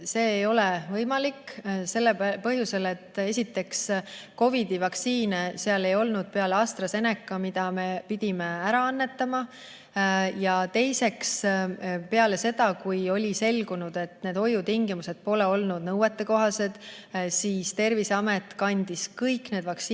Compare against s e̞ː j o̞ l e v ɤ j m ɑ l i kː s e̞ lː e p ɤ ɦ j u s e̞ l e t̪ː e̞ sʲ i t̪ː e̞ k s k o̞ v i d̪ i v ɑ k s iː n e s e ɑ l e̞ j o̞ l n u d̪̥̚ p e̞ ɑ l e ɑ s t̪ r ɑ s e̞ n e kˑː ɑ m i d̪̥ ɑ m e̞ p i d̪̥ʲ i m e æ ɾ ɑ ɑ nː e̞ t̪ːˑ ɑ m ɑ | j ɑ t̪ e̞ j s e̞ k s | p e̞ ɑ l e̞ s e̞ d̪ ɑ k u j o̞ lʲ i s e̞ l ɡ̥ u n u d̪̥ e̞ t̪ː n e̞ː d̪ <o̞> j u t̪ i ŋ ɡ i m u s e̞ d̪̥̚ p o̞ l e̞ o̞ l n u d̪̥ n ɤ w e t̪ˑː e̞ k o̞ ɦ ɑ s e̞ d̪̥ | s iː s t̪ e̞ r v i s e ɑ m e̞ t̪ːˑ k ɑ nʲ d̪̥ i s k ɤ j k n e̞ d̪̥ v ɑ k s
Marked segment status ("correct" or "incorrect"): correct